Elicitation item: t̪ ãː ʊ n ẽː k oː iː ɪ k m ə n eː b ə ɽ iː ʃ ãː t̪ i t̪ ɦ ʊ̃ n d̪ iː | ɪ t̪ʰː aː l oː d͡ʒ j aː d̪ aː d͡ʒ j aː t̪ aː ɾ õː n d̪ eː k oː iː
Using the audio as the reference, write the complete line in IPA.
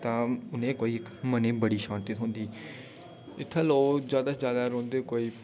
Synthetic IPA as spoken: t̪ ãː ʊ n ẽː k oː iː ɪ k m ə n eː b ə ɽ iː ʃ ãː t̪ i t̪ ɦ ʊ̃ n d̪ iː | ɪ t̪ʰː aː l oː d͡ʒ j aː d̪ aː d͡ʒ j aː d̪ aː ɾ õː n d̪ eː k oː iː